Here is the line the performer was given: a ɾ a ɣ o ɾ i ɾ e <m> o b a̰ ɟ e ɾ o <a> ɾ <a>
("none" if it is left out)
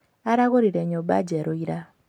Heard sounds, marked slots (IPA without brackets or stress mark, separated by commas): ɲ, i, a